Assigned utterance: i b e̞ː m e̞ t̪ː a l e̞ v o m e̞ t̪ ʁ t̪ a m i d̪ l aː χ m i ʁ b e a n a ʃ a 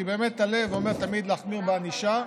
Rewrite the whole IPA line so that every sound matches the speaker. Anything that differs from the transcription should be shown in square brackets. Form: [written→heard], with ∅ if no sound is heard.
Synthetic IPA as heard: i b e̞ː m e̞ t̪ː a l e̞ v o m e̞ [t̪→∅] ʁ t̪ a m i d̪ l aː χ m i ʁ b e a n [a→i] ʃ a